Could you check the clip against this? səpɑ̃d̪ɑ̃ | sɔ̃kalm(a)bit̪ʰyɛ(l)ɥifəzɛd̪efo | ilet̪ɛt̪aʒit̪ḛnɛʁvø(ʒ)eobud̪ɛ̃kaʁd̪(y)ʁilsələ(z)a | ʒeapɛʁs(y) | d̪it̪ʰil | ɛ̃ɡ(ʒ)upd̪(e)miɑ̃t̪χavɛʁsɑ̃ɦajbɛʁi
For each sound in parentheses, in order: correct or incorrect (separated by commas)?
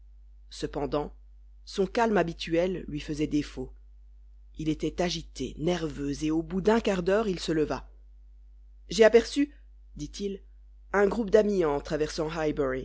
correct, incorrect, incorrect, incorrect, incorrect, correct, incorrect, incorrect